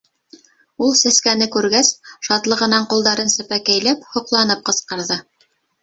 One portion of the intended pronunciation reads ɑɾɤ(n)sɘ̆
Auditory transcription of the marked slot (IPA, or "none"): n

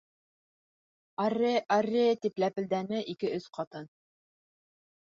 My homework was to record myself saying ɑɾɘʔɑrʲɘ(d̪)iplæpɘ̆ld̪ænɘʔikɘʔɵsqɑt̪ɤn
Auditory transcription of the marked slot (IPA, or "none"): t̪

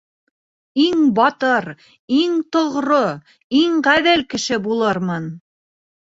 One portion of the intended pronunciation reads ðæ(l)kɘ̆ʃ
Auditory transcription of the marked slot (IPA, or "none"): l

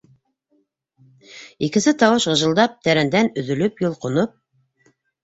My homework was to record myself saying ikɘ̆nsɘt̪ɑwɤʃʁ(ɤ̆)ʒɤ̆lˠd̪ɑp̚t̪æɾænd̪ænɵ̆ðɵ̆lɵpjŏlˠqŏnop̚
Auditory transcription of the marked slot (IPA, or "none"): ɤ̆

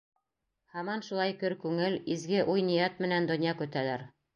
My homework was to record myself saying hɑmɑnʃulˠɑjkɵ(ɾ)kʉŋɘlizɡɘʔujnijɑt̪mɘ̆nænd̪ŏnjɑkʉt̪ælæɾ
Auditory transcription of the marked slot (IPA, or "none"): ɾ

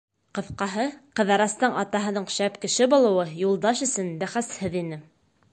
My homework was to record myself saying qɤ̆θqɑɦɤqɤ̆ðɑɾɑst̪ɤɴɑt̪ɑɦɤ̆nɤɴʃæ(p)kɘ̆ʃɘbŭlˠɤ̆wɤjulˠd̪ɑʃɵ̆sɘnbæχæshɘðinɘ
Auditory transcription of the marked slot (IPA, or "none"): p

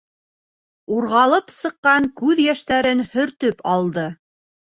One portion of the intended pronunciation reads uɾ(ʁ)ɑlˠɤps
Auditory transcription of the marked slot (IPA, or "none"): ʁ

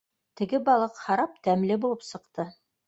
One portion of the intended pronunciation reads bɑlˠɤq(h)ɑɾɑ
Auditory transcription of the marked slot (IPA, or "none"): h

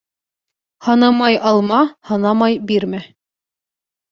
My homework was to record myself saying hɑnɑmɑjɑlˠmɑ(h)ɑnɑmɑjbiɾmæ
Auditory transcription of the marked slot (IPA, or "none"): h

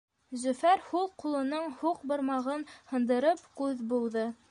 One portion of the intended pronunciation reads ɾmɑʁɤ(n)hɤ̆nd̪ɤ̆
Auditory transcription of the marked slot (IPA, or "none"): n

